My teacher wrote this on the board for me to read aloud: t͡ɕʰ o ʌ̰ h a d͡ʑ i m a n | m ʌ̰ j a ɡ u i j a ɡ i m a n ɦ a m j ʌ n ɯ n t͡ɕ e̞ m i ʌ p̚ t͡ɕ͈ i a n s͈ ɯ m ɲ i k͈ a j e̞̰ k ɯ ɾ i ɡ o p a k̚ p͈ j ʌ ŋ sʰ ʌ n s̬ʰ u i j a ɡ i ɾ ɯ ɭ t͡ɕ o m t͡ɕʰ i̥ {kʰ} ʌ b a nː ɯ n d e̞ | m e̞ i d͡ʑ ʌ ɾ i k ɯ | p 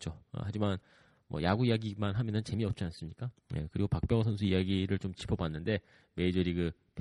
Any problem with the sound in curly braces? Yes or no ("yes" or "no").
yes